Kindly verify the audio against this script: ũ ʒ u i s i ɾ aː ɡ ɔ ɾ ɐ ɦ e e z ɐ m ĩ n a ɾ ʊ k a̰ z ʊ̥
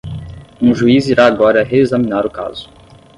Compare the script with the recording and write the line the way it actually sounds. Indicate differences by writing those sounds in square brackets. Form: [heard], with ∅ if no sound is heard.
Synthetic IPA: ũ ʒ u i [z] i ɾ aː ɡ ɔ ɾ ɐ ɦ e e z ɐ m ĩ n a ɾ ʊ k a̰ z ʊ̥